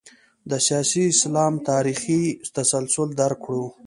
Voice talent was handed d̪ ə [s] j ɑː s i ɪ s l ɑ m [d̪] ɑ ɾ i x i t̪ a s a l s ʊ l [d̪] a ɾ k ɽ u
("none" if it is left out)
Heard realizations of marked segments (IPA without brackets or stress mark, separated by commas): s, t̪, d̪